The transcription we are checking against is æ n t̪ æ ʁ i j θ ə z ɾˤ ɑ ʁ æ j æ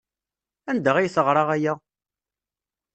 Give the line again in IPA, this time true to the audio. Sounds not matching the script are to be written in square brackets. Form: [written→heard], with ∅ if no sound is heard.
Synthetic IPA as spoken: æ n [t̪→d̪] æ ʁ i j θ ə [z→ʁ] ɾˤ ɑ ʁ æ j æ